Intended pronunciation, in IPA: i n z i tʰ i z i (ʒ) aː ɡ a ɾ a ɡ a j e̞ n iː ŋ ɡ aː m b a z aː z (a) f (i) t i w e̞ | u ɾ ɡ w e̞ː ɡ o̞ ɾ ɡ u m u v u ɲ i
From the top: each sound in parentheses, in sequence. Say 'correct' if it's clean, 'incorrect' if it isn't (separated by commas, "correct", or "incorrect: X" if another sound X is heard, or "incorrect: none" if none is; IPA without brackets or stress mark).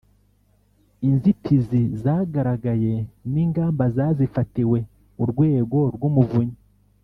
incorrect: z, incorrect: i, incorrect: a